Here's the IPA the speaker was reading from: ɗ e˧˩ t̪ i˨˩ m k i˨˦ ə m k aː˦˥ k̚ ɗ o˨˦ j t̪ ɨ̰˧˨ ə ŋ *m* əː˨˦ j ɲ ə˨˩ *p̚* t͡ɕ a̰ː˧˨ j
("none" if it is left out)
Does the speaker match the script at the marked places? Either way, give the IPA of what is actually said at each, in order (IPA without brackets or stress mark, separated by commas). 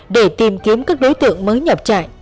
m, p̚